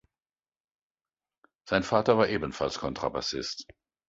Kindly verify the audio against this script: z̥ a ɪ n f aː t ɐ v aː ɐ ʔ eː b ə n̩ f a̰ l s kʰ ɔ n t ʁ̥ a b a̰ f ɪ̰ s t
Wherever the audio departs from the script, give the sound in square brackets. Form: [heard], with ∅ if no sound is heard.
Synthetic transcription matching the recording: z̥ a ɪ n f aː t ɐ v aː ɐ ʔ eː b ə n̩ f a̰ l s kʰ ɔ n t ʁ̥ a b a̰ [s] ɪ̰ s t